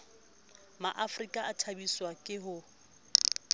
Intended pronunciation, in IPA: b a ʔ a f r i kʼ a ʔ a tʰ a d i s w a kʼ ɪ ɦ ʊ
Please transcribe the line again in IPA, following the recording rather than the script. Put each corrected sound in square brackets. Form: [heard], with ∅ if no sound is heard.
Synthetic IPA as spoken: [m] a ʔ a f r i kʼ a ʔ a tʰ a [b] i s w a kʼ ɪ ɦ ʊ